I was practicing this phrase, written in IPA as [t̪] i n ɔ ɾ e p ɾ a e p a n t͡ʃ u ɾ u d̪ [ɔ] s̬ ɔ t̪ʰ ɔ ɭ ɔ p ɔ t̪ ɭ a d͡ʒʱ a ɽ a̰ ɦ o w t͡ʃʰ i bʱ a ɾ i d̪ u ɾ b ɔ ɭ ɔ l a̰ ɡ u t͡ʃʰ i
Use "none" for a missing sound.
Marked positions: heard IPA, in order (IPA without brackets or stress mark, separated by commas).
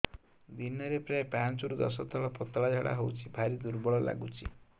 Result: d̪, ɔ